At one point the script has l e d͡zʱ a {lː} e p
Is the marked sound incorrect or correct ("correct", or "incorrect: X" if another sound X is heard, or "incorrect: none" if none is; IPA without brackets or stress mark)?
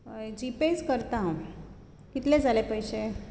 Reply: incorrect: l